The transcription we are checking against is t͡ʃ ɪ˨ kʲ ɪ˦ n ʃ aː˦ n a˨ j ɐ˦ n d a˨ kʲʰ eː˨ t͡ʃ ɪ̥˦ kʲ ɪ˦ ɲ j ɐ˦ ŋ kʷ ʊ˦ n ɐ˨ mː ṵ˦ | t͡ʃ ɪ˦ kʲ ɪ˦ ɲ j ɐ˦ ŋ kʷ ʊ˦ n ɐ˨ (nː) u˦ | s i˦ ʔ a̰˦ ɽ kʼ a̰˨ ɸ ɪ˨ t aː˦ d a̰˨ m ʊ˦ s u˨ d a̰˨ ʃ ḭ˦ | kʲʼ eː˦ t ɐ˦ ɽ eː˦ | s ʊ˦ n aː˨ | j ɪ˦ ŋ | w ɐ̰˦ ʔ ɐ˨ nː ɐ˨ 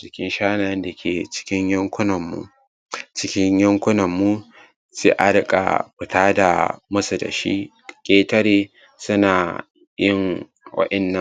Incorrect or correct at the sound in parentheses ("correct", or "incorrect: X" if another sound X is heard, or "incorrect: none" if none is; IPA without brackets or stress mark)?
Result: incorrect: mː